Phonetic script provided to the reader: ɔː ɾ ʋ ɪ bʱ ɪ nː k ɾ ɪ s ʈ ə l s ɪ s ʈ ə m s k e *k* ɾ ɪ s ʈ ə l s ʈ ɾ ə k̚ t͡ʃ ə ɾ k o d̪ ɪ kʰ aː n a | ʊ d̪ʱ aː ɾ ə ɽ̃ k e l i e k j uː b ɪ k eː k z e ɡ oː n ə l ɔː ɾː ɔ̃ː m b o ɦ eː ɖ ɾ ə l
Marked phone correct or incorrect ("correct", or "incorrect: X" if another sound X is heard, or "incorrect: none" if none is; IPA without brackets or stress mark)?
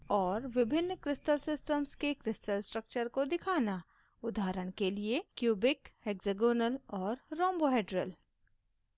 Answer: correct